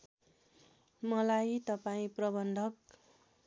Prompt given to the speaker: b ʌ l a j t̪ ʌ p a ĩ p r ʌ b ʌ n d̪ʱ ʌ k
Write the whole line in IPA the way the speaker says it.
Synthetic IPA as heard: m ʌ l a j t̪ ʌ p a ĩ p r ʌ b ʌ n d̪ʱ ʌ k